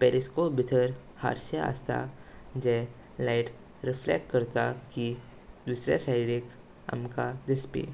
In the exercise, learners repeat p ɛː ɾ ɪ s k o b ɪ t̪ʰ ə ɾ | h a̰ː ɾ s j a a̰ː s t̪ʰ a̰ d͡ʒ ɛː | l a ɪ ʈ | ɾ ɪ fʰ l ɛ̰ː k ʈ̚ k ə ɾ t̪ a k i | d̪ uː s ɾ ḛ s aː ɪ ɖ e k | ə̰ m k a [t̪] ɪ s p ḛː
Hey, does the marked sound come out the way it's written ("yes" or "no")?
no